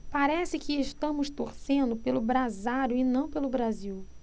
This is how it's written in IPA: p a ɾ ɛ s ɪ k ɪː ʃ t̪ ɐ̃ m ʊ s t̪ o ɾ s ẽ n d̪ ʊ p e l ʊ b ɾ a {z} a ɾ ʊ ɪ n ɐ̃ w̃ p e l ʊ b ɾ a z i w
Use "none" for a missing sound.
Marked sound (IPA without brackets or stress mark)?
z